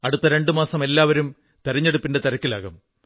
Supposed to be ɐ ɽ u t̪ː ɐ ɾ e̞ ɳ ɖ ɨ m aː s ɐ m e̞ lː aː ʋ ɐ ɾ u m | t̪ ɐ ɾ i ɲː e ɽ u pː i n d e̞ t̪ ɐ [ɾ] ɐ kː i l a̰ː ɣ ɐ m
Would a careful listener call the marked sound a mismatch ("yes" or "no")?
no